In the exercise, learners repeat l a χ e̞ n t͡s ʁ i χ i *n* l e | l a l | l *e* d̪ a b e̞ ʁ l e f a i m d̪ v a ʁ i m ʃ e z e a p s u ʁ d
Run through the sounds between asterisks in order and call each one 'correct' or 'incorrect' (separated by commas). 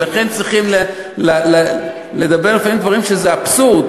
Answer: incorrect, correct